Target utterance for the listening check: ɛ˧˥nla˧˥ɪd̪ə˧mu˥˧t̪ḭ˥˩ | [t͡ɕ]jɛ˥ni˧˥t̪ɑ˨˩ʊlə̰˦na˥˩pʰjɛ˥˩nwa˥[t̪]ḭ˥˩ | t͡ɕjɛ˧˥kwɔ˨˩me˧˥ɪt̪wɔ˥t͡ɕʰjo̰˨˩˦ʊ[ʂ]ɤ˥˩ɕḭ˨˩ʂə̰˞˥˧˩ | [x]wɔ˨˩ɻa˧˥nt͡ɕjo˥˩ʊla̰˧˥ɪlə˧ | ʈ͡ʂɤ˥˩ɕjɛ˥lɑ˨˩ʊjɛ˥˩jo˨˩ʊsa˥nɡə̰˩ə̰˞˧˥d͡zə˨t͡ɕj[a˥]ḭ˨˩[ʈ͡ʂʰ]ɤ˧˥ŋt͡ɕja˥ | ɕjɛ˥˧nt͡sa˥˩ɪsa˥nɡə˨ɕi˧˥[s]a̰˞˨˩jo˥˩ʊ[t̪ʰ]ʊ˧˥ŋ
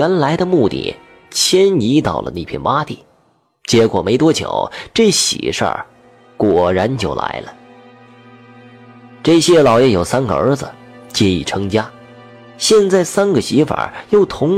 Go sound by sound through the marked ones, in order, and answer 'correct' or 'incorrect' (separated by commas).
incorrect, correct, incorrect, incorrect, incorrect, correct, incorrect, correct